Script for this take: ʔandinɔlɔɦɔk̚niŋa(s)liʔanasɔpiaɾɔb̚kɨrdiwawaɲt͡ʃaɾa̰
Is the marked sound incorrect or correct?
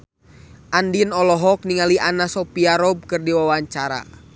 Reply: incorrect